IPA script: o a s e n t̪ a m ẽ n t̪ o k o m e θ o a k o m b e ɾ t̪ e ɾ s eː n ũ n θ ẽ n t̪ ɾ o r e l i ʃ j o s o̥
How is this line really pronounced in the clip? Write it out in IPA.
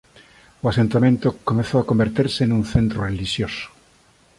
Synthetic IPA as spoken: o a s e n t̪ a m ẽ n t̪ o k o m e θ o a k o m b e ɾ t̪ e ɾ s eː n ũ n θ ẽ n t̪ ɾ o r e l i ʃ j o s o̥